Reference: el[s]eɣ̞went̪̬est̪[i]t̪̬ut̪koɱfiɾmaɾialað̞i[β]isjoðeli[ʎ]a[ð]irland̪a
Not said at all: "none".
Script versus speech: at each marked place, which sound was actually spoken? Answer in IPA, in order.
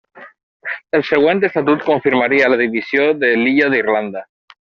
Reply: s, a, β, ʎ, ð

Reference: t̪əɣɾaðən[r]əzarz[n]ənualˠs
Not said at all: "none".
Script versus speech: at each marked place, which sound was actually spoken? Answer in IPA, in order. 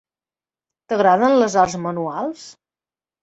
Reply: l, m

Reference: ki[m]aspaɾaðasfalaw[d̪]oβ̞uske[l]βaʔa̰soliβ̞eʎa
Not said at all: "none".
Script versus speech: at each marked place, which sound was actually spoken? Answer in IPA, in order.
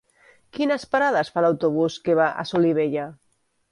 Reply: n, t̪, none

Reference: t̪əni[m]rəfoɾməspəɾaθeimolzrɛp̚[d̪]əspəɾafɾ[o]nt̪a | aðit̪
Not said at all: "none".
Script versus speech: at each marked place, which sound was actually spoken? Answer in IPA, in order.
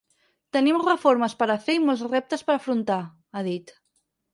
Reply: m, t̪, u

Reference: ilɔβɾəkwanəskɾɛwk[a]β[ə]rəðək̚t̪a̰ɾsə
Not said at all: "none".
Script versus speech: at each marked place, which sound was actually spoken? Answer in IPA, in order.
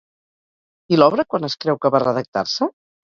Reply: ə, a

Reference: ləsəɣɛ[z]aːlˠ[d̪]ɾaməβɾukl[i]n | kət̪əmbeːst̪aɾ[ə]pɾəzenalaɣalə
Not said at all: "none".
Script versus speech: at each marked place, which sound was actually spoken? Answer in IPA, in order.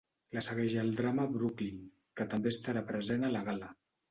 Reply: ʒ, d̪, i, a

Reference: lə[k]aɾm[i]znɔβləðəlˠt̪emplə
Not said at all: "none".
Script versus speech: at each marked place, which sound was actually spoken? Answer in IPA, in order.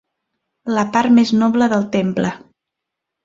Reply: p, e

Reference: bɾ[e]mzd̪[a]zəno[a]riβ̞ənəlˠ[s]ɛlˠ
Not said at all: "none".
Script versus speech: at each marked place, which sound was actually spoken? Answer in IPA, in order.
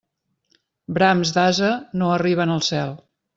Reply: a, a, ə, s

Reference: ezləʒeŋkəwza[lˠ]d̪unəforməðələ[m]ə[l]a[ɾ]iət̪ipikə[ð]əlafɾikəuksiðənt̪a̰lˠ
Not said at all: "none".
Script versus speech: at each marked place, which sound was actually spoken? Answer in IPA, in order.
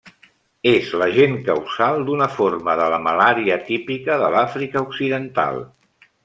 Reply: lˠ, m, l, ɾ, ð

